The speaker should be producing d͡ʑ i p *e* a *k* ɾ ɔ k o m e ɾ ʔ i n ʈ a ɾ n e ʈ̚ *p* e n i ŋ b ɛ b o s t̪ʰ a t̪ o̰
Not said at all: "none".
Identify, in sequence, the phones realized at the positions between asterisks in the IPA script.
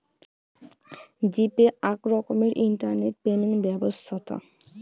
e, k, p

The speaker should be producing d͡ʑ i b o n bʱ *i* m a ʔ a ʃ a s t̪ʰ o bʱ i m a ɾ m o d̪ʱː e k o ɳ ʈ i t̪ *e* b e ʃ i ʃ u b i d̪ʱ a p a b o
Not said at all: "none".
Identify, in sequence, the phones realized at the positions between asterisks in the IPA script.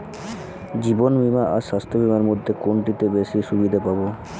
i, e

